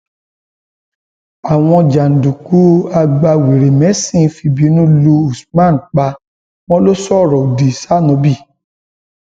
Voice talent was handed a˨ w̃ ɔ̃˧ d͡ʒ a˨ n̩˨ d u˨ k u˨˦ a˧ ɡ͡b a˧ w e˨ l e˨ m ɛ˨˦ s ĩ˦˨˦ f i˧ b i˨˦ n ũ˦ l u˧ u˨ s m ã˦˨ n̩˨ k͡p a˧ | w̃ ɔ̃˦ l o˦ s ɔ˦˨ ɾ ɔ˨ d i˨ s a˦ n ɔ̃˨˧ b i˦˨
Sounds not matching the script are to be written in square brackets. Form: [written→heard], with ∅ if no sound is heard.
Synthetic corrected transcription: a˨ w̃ ɔ̃˧ d͡ʒ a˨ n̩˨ d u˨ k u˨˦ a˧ ɡ͡b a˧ w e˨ [l→ɾ] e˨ m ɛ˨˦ s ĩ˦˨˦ f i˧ b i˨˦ n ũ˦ l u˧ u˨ s m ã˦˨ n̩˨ k͡p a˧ | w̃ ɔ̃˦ l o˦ s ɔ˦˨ ɾ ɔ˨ d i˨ s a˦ n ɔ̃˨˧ b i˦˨